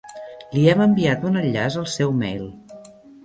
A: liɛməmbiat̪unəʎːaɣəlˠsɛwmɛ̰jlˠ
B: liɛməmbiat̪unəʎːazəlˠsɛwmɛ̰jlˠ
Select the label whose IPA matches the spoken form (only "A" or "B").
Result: B